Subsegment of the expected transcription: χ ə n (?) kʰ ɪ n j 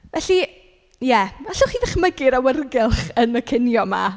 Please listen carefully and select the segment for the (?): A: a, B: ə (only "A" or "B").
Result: B